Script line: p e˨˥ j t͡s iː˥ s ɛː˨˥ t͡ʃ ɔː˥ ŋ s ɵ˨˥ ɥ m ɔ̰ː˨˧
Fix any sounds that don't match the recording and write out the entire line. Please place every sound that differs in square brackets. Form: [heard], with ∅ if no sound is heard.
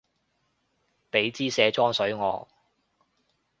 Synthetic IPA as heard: p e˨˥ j t͡s iː˥ s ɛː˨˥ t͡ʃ ɔː˥ ŋ s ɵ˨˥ ɥ [ŋ] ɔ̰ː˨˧